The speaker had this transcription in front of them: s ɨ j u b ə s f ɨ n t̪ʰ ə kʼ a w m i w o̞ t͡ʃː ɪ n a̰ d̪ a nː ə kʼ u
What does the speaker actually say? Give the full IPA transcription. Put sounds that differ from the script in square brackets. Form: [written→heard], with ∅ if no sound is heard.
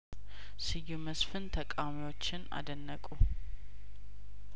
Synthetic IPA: s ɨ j u [b→m] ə s f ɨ n t̪ʰ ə kʼ a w m i w o̞ t͡ʃː ɪ n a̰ d̪ [a→ə] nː ə kʼ u